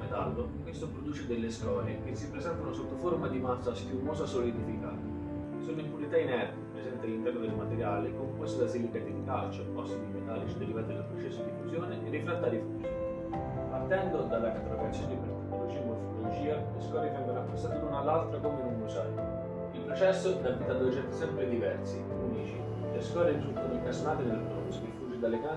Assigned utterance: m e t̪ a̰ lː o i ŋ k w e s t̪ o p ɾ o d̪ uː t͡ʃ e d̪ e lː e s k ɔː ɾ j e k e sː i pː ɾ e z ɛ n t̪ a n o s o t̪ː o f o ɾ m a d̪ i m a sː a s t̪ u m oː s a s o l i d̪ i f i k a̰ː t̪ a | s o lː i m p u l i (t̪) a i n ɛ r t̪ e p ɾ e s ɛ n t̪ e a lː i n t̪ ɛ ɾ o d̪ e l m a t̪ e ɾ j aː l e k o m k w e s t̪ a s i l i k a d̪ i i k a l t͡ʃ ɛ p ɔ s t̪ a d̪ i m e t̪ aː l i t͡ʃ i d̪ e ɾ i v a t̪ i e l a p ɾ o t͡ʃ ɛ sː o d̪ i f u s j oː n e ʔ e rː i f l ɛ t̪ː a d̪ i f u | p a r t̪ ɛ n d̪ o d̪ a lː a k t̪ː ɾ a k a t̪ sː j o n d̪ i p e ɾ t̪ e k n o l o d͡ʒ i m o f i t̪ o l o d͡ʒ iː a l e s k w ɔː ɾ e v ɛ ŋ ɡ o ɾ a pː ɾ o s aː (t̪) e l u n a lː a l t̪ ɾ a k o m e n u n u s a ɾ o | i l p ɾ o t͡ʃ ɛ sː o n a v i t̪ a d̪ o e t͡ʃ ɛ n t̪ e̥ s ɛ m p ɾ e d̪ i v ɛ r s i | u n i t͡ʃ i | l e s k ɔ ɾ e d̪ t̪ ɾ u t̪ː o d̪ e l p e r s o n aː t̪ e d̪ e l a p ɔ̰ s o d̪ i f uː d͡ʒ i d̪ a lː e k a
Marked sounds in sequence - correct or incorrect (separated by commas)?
correct, correct